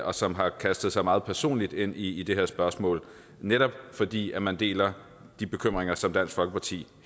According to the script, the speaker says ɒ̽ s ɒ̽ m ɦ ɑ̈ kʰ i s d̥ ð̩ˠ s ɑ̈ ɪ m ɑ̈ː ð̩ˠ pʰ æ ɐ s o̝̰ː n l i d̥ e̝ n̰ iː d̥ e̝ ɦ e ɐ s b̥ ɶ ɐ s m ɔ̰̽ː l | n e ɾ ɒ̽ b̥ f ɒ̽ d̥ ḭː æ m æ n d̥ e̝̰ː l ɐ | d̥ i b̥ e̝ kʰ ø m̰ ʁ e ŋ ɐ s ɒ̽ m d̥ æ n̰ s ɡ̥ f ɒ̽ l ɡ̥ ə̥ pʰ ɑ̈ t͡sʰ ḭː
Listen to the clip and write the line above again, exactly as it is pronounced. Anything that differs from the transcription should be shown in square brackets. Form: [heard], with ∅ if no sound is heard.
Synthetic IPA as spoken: ɒ̽ s ɒ̽ m ɦ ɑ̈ kʰ [æ] s d̥ ð̩ˠ s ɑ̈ ɪ m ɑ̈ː ð̩ˠ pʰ æ ɐ s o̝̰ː n l i d̥ e̝ n̰ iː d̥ e̝ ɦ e ɐ s b̥ ɶ ɐ s m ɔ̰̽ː l | n e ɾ ɒ̽ b̥ f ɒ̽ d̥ ḭː æ m æ n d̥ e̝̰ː l ɐ | d̥ i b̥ e̝ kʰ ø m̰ ʁ e ŋ ɐ s ɒ̽ m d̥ æ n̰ s ɡ̥ f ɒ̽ l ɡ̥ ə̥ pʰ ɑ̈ t͡sʰ ḭː